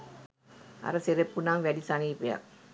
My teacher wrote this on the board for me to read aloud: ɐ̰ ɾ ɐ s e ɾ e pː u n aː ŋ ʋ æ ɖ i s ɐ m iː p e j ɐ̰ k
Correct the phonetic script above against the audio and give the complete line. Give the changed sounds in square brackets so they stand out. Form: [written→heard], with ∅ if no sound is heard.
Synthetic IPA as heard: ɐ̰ ɾ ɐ s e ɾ e pː u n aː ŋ ʋ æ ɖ i s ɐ [m→n] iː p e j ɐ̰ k